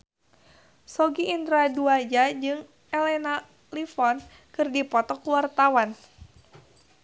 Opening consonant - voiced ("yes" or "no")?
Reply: no